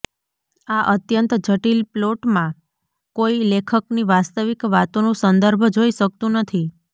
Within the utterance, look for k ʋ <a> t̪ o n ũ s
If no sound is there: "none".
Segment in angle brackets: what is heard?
a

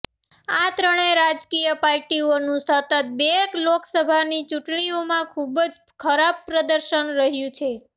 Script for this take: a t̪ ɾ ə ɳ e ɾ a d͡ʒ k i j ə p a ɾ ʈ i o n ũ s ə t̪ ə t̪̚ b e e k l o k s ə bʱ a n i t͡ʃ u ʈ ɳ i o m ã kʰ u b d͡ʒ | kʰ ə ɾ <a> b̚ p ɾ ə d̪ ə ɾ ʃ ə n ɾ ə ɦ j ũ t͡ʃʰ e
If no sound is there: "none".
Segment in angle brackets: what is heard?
a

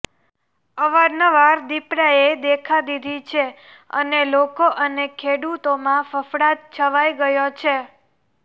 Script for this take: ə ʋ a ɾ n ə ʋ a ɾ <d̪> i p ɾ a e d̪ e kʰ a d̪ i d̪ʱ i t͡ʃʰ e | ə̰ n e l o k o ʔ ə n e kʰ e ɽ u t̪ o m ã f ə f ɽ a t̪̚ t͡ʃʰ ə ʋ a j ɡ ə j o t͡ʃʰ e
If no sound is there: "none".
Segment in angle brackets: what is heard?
d̪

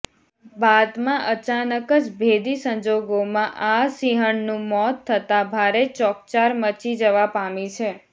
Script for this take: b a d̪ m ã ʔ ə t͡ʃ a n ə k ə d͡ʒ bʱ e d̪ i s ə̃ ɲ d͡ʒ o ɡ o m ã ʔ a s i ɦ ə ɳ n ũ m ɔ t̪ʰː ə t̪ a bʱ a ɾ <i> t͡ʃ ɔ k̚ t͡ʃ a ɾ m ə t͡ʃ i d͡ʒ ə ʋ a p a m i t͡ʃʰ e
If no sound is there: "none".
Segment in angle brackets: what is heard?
e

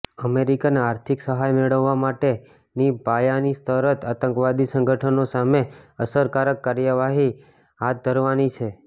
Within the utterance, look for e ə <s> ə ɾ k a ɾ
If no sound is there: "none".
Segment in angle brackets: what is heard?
s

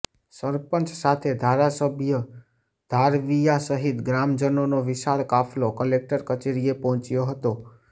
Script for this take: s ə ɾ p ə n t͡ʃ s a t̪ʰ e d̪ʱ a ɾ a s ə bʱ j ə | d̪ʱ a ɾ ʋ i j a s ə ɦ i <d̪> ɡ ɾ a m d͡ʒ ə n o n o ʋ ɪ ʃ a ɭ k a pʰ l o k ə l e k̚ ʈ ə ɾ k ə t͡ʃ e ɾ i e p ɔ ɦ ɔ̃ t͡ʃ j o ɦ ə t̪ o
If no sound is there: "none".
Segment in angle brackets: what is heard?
t̪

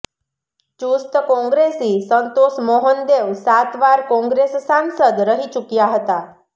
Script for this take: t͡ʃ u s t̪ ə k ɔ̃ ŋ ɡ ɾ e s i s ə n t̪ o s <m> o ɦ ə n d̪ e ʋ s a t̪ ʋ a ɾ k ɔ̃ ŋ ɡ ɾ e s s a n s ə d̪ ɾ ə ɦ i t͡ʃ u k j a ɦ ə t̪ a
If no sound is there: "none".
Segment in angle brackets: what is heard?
m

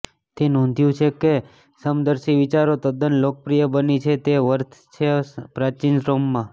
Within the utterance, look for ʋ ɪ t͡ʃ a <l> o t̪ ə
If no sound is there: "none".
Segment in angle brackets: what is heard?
ɾ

